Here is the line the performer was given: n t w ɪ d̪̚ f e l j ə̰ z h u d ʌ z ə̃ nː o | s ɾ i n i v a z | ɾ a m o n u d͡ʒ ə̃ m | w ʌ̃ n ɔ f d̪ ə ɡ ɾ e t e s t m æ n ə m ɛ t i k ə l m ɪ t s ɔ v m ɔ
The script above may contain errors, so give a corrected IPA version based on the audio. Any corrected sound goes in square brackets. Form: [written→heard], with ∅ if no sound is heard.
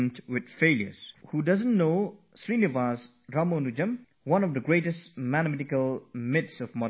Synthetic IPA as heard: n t w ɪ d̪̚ f e l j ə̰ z h u d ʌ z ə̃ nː o | s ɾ i n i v a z | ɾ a m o n u d͡ʒ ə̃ m | w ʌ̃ n ɔ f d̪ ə ɡ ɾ e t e s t m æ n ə m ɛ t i k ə l m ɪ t s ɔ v m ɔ

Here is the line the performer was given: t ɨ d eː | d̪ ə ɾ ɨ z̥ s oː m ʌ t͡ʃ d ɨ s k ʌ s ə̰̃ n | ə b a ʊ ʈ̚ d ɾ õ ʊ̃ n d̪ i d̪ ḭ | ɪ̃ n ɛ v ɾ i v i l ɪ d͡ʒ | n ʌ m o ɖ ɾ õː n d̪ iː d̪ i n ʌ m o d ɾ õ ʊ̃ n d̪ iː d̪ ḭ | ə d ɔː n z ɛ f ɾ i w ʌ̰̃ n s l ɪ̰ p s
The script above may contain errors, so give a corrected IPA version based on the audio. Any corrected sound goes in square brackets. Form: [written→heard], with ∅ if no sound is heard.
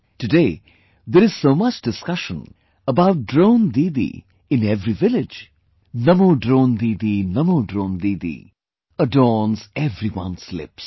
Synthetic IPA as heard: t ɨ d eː | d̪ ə ɾ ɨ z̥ s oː m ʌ t͡ʃ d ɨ s k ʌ [s→ʃ] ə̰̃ n | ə b a ʊ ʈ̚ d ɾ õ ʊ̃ n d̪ i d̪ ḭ | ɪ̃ n ɛ v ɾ i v [i→ɪ] l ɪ d͡ʒ | n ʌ m o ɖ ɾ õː n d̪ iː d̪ i n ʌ m o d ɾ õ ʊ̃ n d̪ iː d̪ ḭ | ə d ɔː n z ɛ [f→v] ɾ i w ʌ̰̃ n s l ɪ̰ p s

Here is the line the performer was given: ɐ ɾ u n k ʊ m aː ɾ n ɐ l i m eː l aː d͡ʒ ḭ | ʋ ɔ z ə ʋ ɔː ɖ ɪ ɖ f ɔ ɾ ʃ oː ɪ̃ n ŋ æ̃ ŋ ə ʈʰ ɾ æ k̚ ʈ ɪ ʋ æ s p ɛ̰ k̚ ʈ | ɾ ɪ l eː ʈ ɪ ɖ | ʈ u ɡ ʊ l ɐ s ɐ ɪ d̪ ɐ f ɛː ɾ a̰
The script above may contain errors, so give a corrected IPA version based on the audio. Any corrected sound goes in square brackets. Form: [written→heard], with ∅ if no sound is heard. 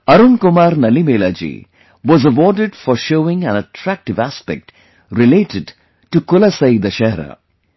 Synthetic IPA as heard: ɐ ɾ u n k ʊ m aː ɾ n ɐ l i m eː l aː d͡ʒ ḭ | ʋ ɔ z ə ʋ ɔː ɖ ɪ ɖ f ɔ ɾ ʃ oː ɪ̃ [n→∅] ŋ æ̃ [ŋ→n] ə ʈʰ ɾ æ k̚ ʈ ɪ ʋ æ s p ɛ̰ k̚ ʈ | ɾ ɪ l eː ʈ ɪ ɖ | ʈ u [ɡ→k] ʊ l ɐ s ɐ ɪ d̪ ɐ [f→ʃ] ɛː ɾ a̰

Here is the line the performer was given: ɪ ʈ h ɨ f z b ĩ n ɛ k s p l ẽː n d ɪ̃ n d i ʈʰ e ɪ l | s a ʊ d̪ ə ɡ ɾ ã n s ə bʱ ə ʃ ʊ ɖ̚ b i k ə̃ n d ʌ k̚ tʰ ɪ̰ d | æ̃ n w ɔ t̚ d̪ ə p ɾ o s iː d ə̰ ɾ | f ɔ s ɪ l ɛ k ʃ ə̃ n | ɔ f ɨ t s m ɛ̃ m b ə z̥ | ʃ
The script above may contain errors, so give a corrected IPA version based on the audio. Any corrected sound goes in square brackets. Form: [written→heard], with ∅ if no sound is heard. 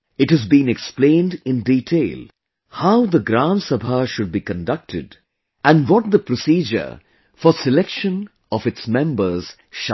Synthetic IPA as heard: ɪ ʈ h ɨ [f→∅] z b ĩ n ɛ k s p l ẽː n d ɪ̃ n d i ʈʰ e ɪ l | [s→h] a ʊ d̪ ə ɡ ɾ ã n s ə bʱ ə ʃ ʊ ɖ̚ b i k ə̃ n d ʌ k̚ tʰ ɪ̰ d | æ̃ n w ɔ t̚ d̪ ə p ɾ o s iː [d→d͡ʒ] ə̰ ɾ | f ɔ s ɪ l ɛ k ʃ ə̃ n | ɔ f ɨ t s m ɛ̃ m b ə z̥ | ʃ

